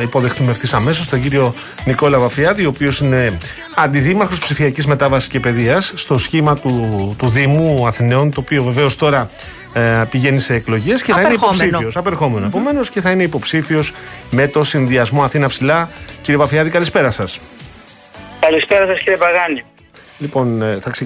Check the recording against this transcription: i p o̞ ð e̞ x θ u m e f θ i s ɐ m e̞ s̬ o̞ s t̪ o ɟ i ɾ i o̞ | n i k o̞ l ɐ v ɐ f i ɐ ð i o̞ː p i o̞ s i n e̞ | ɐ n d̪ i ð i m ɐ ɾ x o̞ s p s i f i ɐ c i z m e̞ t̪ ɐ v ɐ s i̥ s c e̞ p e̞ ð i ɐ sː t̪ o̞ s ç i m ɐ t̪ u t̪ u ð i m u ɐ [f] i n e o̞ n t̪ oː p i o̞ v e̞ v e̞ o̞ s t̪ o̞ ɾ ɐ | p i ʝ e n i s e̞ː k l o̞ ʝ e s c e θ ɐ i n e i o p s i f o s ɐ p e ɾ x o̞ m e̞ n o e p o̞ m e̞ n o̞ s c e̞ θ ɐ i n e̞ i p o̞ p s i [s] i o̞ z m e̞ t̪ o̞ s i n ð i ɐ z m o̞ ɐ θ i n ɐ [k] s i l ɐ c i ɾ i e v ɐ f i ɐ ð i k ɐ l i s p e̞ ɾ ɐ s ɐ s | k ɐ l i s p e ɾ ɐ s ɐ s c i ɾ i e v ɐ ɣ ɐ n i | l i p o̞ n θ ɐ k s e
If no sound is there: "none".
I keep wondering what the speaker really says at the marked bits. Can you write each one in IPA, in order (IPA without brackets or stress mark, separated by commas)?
θ, f, p